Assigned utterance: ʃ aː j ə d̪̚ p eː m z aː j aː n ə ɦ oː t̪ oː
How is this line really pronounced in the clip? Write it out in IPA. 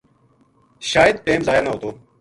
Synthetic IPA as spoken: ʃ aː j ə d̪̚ p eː m z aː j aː n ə ɦ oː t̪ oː